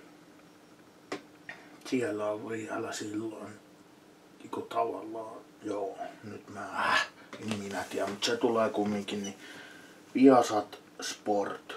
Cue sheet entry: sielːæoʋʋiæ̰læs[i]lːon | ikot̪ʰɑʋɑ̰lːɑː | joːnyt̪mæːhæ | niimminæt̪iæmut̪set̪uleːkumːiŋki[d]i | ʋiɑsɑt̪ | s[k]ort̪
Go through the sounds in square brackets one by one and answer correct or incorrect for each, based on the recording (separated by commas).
correct, incorrect, incorrect